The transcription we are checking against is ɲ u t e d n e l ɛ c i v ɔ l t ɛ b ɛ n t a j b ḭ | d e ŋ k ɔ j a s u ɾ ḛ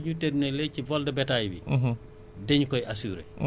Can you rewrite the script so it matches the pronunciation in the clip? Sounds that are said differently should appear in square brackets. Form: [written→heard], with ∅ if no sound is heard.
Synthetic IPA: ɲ u t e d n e l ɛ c i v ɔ l [t→d] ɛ b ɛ [n→∅] t a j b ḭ | d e [ŋ→ɲ] k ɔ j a s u ɾ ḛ